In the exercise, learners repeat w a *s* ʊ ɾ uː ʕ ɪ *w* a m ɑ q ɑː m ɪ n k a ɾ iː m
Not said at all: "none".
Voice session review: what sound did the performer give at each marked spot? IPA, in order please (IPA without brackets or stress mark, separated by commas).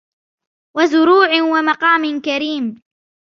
z, w